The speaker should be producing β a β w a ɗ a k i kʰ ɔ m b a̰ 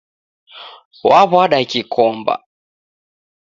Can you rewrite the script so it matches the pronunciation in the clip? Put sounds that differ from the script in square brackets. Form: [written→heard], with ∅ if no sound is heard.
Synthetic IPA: [β→w] a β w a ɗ a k i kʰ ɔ m b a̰